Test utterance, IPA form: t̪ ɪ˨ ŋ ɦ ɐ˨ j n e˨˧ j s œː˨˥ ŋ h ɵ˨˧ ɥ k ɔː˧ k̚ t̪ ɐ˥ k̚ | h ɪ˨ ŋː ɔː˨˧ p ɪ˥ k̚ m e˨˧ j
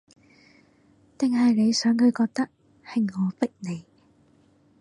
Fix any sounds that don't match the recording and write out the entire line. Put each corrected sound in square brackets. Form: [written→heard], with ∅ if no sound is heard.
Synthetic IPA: t̪ ɪ˨ ŋ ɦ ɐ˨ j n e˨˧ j s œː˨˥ ŋ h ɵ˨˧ ɥ k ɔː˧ k̚ t̪ ɐ˥ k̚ | h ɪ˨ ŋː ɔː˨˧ p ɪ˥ k̚ [m→n] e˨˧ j